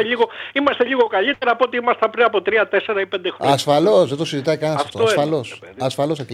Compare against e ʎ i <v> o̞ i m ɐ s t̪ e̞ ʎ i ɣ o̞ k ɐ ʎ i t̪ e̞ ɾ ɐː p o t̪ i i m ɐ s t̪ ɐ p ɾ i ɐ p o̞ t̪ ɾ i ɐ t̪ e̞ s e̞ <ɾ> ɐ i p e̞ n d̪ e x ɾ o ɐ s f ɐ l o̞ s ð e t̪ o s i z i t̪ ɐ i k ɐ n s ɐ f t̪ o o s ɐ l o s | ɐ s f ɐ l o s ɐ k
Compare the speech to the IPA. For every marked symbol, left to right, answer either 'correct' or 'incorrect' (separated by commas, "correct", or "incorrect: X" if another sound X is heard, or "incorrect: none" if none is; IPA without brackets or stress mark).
incorrect: ɣ, correct